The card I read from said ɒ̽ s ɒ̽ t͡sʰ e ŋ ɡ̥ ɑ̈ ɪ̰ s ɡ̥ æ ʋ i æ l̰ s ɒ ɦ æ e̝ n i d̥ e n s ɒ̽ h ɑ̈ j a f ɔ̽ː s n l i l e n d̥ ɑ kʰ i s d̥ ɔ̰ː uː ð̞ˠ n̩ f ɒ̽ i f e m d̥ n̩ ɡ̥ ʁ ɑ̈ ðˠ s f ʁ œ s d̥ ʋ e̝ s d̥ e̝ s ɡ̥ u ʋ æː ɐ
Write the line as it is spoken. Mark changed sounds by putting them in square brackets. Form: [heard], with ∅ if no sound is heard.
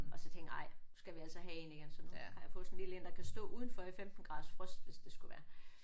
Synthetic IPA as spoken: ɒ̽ s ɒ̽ t͡sʰ e ŋ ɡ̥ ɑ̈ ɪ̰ s ɡ̥ æ ʋ i æ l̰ s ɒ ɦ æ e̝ n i [ɡ̥] e n s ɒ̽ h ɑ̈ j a f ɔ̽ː s n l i l e n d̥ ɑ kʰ [æ] s d̥ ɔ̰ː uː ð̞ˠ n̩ f ɒ̽ i f e m d̥ n̩ ɡ̥ ʁ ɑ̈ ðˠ s f ʁ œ s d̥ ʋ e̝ s d̥ e̝ s ɡ̥ u ʋ æː ɐ